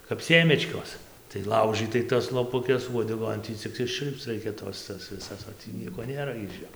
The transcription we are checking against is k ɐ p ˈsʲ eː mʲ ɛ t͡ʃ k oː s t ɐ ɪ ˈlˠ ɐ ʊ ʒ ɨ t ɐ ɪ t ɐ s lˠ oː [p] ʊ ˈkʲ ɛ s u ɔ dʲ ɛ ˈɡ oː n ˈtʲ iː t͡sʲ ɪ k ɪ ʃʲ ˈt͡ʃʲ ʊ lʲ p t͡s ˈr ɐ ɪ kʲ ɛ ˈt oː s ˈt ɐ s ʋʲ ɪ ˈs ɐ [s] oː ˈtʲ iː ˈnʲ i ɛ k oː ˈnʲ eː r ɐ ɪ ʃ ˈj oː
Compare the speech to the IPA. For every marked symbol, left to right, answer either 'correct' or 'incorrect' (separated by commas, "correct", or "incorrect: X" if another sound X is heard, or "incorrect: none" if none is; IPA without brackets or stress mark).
correct, correct